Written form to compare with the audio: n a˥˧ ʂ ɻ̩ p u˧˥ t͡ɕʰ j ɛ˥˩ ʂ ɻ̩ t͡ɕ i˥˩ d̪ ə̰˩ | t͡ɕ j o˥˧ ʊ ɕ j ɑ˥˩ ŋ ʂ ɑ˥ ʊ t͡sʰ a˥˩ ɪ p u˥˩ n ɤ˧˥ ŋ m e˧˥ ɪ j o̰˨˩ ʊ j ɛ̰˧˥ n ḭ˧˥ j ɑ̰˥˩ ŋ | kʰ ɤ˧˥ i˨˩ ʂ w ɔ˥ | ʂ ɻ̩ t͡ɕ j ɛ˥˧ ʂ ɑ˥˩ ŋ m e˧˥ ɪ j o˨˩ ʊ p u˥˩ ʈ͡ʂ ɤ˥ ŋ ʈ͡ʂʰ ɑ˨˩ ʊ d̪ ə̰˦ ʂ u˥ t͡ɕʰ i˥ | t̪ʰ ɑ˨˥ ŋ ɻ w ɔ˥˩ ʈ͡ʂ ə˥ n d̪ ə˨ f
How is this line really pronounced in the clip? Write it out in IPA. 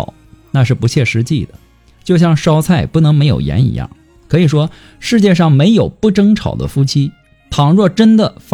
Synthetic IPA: n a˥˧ ʂ ɻ̩ p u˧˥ t͡ɕʰ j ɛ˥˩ ʂ ɻ̩ t͡ɕ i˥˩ d̪ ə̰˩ | t͡ɕ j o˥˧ ʊ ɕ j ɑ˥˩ ŋ ʂ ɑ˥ ʊ t͡sʰ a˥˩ ɪ p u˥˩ n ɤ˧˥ ŋ m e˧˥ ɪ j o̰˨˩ ʊ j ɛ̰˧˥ n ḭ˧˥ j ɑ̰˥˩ ŋ | kʰ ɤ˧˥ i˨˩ ʂ w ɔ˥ | ʂ ɻ̩ t͡ɕ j ɛ˥˧ ʂ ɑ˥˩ ŋ m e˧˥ ɪ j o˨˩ ʊ p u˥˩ ʈ͡ʂ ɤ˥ ŋ ʈ͡ʂʰ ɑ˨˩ ʊ d̪ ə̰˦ f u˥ t͡ɕʰ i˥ | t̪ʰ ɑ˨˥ ŋ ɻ w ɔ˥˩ ʈ͡ʂ ə˥ n d̪ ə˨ f